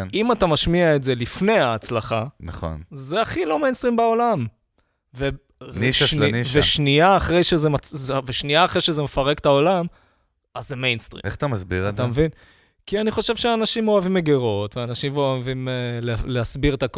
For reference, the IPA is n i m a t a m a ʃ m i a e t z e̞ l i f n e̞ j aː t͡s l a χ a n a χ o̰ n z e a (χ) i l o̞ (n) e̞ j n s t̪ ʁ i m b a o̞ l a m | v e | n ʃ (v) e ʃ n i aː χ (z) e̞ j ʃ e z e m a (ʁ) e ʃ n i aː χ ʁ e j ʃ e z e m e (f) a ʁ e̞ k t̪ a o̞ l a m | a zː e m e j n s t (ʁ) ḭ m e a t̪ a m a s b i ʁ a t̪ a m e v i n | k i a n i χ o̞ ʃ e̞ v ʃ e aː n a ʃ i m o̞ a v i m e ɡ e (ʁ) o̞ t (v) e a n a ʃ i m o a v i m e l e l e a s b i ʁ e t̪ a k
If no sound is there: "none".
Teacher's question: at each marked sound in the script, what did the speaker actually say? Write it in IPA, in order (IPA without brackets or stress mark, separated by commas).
χ, m, v, ʁ, v, f, ʁ, ʁ, v